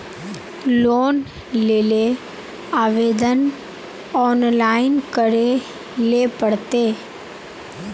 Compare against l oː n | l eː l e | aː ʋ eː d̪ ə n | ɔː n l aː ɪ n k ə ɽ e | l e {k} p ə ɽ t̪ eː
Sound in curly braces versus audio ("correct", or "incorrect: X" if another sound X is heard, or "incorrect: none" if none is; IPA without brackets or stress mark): incorrect: none